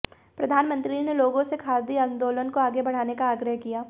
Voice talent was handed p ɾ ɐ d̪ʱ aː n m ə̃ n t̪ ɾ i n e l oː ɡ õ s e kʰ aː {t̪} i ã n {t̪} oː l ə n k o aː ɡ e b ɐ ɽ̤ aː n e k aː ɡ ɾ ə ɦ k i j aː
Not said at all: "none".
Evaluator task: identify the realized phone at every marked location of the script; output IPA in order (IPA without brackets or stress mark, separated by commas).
d̪, d̪